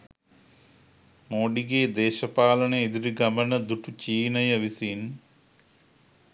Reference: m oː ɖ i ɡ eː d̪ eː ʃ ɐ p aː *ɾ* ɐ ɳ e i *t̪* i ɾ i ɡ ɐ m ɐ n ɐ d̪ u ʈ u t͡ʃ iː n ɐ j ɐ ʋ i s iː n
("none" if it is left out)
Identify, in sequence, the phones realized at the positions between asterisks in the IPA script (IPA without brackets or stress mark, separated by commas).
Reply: l, d̪